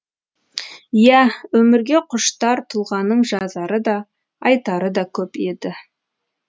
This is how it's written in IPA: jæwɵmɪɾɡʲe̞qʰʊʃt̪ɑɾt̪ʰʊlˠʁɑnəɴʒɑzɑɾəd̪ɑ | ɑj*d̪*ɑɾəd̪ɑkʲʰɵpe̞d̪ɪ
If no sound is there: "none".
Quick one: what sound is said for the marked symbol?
t̪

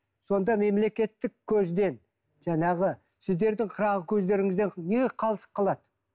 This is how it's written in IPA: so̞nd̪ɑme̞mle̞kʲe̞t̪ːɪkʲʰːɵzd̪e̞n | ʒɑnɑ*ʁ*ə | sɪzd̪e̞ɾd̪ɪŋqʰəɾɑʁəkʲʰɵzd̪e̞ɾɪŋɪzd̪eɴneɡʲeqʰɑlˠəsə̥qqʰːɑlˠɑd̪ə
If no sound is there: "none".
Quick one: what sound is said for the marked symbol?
ʁ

